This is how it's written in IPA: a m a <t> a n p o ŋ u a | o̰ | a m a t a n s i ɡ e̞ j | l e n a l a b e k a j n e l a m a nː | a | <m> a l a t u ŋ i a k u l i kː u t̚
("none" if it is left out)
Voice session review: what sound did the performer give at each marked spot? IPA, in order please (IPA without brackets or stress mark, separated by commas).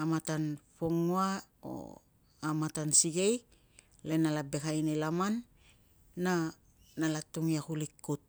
t, n